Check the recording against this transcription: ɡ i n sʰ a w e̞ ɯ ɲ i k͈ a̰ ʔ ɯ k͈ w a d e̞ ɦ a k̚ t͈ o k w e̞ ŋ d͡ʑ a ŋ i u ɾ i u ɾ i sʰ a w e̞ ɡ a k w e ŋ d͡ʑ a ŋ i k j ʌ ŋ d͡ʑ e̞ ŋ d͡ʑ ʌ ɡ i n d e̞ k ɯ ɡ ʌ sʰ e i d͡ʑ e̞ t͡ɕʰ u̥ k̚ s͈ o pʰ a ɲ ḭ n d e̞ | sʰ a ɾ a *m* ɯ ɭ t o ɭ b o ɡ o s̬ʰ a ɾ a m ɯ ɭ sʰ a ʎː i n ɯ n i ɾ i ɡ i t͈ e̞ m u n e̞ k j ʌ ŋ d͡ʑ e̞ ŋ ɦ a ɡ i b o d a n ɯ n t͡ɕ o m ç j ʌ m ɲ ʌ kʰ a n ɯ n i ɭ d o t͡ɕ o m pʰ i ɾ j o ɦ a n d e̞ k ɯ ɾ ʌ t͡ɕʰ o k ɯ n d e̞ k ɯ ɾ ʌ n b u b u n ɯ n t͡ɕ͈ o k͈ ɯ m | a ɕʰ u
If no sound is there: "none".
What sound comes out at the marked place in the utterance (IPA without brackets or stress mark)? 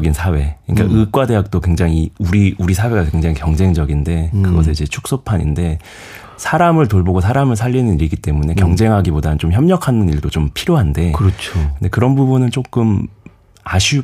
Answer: m